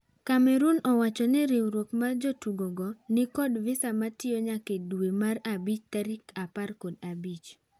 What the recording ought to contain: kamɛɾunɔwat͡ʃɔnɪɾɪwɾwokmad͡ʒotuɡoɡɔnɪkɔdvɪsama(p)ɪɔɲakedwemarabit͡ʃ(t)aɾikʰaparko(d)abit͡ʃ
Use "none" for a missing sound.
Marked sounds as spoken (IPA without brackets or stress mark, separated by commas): t, t, d